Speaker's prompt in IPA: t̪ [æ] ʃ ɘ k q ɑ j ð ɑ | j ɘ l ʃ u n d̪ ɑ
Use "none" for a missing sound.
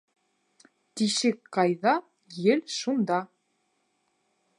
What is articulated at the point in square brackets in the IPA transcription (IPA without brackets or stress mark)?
i